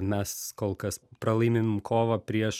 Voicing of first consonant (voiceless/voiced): voiced